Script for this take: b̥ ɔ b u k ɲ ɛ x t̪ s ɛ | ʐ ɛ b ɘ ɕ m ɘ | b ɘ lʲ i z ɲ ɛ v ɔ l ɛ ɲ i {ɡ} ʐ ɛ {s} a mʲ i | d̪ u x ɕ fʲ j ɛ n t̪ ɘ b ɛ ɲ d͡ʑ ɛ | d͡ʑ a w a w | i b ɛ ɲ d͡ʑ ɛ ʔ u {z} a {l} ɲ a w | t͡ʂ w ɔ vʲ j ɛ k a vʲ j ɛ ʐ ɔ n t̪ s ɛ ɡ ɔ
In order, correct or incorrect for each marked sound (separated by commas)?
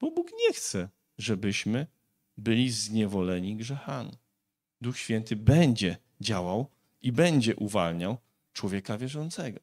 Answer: correct, incorrect, incorrect, correct